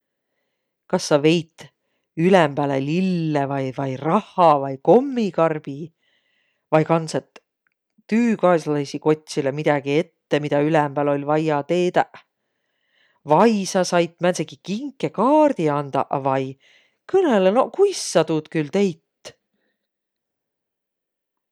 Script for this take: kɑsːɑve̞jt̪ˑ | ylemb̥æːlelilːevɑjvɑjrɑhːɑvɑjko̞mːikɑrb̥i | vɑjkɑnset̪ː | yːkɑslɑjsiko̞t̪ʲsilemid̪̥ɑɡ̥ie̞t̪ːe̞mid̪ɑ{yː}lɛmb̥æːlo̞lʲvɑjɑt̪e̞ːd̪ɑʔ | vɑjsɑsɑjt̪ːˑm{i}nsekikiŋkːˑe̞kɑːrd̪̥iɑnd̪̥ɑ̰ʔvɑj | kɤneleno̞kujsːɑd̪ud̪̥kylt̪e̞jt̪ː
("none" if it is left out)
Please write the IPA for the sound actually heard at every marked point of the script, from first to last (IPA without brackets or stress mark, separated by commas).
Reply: y, æ